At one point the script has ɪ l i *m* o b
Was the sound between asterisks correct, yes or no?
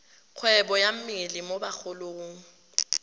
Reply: yes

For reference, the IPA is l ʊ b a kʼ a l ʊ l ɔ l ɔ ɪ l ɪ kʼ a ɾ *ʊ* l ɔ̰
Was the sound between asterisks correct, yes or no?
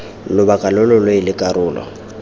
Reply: no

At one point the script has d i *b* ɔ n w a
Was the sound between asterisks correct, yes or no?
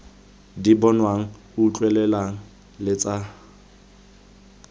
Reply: yes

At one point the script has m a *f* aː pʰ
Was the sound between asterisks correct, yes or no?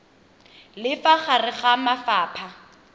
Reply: yes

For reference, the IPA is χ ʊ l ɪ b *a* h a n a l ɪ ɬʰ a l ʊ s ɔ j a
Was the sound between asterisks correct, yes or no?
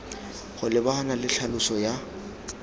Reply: yes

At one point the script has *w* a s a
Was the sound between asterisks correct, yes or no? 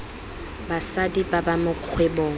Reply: no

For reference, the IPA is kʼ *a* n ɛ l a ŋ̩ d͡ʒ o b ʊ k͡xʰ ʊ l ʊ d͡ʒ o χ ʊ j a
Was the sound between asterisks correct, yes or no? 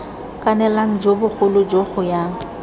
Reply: yes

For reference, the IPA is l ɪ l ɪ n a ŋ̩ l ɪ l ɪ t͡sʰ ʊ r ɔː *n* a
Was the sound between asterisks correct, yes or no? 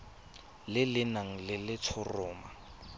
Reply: no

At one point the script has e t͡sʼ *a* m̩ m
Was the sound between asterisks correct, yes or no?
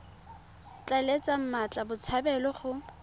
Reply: yes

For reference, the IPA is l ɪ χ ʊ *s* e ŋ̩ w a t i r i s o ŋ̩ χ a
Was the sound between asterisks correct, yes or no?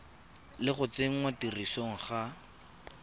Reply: no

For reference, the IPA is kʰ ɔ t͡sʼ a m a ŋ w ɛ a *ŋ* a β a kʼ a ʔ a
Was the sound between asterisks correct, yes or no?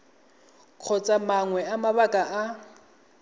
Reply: no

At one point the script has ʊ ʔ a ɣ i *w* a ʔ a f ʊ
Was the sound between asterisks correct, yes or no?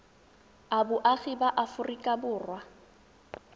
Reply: no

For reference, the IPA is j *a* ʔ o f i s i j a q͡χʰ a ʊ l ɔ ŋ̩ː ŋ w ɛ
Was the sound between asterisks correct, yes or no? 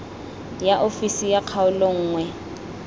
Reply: yes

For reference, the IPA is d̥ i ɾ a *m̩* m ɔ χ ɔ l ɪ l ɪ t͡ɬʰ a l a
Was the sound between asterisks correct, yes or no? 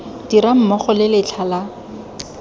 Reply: yes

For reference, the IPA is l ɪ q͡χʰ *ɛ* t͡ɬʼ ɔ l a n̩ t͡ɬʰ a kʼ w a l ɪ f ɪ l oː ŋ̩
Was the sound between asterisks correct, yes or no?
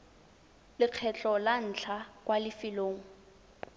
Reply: yes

